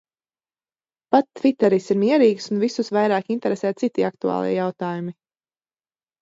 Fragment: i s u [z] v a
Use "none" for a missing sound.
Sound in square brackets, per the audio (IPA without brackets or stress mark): s